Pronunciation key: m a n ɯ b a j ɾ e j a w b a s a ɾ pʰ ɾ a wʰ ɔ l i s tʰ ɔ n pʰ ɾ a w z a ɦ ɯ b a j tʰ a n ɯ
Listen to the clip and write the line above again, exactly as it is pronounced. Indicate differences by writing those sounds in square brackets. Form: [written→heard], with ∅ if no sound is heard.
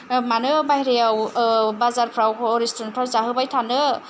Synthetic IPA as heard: m a n ɯ b a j ɾ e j a w b a [s→z] a ɾ pʰ ɾ a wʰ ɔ [l→ɾ] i s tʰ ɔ n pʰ ɾ a w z a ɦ ɯ b a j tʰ a n ɯ